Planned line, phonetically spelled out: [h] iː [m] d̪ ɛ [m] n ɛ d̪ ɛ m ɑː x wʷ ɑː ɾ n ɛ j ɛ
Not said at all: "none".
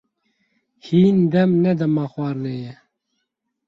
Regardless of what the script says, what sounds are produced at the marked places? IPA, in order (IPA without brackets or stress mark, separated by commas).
h, n, m